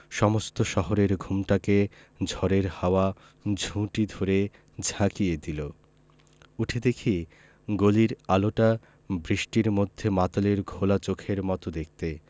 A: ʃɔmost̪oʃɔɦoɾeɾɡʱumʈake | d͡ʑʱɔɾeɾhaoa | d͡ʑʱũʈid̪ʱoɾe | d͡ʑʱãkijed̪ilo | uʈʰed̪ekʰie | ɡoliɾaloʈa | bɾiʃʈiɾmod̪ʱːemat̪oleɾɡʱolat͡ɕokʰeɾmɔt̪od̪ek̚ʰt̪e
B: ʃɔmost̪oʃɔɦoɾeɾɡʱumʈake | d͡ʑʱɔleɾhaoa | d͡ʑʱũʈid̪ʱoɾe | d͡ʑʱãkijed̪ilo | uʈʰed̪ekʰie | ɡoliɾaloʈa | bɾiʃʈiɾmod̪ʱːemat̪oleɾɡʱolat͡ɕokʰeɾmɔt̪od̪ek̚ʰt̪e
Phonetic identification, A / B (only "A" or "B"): A